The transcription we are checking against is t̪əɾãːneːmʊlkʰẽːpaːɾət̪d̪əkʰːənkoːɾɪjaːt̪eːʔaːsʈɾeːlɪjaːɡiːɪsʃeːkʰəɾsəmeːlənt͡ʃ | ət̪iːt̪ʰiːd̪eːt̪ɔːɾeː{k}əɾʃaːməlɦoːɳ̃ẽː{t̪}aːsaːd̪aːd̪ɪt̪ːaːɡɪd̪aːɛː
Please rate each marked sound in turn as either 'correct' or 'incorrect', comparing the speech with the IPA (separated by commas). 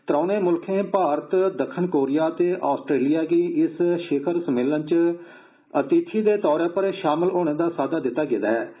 incorrect, incorrect